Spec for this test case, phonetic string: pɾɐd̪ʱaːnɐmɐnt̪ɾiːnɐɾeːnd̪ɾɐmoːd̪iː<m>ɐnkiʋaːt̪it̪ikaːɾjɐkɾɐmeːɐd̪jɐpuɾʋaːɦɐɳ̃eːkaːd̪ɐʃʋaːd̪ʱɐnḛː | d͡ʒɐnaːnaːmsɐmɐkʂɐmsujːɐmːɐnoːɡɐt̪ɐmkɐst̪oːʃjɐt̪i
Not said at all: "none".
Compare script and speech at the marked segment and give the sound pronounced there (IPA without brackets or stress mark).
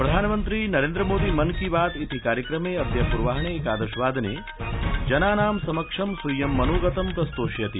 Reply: m